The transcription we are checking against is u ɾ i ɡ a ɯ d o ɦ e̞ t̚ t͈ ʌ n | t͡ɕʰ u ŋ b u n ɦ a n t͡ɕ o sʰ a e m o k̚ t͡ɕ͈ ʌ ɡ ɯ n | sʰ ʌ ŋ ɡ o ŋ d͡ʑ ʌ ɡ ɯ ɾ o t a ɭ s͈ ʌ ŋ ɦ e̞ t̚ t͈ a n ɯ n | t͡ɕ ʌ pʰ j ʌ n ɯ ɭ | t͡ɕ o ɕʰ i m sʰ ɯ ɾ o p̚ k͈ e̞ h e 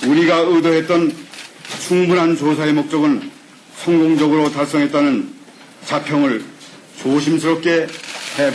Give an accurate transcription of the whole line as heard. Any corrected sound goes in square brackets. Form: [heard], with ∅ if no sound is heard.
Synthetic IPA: u ɾ i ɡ a ɯ d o ɦ e̞ t̚ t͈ ʌ n | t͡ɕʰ u ŋ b u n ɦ a n t͡ɕ o sʰ a e m o k̚ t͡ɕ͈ ʌ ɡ ɯ n | sʰ ʌ ŋ ɡ o ŋ d͡ʑ ʌ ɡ ɯ ɾ o t a ɭ s͈ ʌ ŋ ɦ e̞ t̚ t͈ a n ɯ n | t͡ɕ [a] pʰ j ʌ [ŋ] ɯ ɭ | t͡ɕ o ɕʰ i m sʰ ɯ ɾ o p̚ k͈ e̞ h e